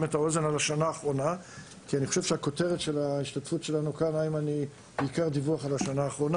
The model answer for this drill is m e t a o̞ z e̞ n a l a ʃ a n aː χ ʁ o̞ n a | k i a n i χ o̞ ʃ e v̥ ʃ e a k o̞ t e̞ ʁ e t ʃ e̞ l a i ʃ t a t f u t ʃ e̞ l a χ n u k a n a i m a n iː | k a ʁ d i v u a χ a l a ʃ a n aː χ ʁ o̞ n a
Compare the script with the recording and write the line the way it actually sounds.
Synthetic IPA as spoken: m e t a o̞ z e̞ n a l a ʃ a n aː χ ʁ o̞ n a | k i a n i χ o̞ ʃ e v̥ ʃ e a k o̞ t e̞ ʁ e t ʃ e̞ l a i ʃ t a t f u t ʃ e̞ l a n u k a n a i m a n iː | k a ʁ d i v u a χ a l a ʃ a n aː χ ʁ o̞ n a